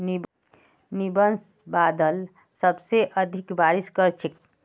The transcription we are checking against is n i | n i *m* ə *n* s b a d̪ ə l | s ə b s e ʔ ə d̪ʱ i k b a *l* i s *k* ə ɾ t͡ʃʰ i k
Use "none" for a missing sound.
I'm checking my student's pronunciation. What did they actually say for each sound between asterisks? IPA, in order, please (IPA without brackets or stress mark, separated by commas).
b, n, ɾ, k